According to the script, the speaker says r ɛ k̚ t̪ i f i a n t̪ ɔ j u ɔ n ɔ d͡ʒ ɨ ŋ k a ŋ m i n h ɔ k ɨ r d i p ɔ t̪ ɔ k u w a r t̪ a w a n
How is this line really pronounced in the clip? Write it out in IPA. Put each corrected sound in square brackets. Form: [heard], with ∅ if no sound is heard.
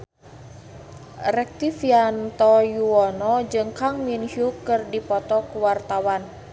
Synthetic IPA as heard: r ɛ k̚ t̪ i f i a n t̪ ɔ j u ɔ n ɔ d͡ʒ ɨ ŋ k a ŋ m i n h [u] k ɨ r d i p ɔ t̪ ɔ k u w a r t̪ a w a n